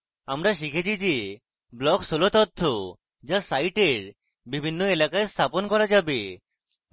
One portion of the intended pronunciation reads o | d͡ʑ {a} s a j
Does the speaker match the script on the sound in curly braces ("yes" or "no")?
yes